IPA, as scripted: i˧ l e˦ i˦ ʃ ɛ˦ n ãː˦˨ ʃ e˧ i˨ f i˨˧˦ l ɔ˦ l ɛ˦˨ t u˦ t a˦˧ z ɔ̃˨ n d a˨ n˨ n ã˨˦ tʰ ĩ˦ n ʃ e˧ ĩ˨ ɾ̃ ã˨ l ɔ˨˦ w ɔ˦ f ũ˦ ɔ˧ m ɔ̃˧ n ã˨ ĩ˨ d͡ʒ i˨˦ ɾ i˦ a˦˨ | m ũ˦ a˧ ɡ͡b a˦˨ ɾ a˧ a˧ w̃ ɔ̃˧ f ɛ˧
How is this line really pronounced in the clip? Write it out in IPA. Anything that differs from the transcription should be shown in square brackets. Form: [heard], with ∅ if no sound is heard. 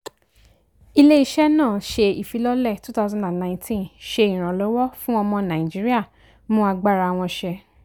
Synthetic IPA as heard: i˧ l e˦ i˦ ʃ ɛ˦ n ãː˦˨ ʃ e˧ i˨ f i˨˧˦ l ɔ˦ l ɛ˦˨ t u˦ t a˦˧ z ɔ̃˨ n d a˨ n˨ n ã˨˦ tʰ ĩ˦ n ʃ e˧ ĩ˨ ɾ̃ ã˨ l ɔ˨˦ w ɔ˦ f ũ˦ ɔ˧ m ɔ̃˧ n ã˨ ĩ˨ d͡ʒ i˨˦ ɾ i˦ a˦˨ | m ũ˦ a˧ ɡ͡b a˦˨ ɾ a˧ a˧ w̃ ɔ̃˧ [ʃ] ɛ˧